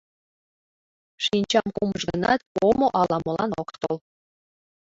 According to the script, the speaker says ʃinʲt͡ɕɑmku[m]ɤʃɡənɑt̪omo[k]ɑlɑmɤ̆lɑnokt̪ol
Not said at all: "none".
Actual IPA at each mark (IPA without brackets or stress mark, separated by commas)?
m, ʔ